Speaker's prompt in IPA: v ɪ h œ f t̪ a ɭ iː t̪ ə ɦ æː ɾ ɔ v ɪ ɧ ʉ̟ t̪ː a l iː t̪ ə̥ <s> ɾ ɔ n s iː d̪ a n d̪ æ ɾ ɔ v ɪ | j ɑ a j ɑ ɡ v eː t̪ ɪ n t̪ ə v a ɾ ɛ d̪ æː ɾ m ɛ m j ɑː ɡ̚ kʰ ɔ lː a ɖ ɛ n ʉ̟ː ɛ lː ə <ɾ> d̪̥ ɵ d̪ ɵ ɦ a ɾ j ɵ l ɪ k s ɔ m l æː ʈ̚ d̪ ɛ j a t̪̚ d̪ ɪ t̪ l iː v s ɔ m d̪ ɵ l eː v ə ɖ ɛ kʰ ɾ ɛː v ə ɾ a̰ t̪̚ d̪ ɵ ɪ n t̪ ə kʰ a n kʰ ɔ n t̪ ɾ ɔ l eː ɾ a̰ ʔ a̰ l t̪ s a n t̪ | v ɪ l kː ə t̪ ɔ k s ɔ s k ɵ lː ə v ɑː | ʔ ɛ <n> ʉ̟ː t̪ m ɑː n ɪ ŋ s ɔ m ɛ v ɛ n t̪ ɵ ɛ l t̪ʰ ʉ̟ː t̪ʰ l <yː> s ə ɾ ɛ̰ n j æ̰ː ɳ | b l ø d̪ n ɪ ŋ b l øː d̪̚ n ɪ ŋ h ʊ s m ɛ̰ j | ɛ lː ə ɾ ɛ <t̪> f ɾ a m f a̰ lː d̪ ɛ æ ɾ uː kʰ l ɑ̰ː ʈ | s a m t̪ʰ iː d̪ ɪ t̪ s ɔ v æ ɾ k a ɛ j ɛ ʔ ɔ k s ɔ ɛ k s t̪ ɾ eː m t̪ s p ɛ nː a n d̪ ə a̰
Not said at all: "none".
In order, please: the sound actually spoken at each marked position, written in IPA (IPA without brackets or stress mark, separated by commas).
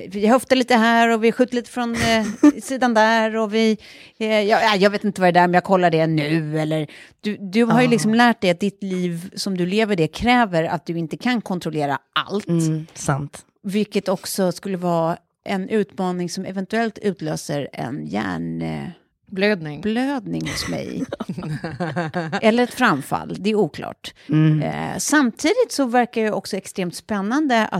f, ɾ, n, øː, t̪